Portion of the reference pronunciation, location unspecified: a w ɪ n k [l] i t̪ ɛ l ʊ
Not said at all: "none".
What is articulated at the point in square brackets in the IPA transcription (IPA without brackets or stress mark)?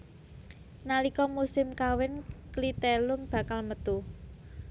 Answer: l